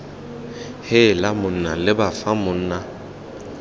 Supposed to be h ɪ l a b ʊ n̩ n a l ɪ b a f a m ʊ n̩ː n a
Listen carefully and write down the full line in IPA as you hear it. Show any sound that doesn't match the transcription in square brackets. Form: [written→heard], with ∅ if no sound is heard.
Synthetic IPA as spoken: h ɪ l a [b→m] ʊ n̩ n a l ɪ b a f a m ʊ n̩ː n a